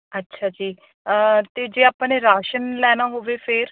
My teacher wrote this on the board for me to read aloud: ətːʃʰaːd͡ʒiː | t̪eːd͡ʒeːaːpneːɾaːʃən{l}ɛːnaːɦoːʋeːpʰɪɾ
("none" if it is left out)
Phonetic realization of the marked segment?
l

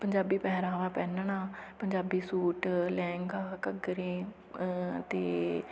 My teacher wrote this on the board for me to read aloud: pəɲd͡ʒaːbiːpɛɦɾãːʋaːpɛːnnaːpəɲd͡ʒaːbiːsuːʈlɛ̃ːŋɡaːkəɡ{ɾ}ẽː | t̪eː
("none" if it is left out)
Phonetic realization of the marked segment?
ɾ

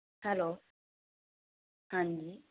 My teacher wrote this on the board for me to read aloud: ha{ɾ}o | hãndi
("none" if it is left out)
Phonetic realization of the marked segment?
l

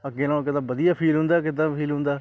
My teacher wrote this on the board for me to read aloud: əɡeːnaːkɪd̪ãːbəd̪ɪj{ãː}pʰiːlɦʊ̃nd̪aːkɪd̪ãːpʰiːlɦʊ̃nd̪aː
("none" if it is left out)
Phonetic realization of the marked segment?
aː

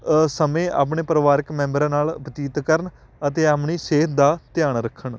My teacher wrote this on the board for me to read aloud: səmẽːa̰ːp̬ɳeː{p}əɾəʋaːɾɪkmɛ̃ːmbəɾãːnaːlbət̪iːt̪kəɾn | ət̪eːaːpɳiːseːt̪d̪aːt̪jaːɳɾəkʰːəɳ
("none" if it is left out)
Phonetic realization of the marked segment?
p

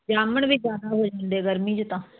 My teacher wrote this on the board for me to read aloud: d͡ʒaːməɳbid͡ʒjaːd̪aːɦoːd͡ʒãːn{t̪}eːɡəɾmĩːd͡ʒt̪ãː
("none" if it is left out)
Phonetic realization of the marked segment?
d̪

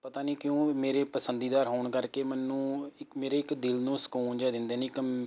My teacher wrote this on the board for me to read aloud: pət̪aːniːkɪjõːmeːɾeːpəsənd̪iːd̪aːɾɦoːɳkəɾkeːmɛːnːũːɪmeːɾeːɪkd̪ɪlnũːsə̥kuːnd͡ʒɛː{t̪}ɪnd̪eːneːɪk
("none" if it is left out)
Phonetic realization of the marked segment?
d̪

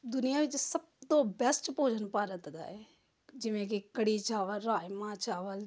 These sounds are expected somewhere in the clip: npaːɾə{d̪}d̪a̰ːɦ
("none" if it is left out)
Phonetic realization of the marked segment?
t̪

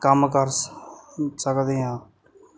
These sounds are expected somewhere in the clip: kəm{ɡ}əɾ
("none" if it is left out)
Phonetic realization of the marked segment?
k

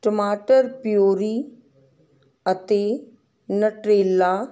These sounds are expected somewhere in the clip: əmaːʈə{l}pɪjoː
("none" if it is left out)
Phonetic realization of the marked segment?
ɾ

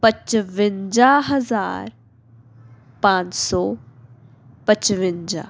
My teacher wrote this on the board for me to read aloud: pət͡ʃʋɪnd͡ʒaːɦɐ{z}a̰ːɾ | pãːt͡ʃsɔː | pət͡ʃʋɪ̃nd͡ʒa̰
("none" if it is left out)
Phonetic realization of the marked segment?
z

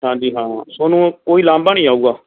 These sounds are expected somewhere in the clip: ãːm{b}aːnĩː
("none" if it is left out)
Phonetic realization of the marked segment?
b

